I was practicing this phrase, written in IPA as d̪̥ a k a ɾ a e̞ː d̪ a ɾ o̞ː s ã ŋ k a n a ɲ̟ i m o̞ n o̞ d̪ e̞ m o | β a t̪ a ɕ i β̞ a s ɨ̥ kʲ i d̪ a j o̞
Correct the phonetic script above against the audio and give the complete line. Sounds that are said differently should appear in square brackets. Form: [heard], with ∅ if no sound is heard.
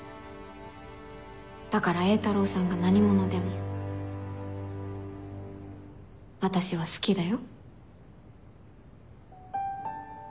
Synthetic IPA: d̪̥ a k a ɾ a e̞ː [t̪] a ɾ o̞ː s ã ŋ [ɡ] a n a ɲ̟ i m o̞ n o̞ d̪ e̞ m o | β a t̪ a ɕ i β̞ a s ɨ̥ kʲ i d̪ a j o̞